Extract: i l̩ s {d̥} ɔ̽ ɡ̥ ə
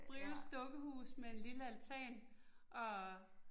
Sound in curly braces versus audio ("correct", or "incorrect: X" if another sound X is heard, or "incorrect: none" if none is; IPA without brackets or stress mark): correct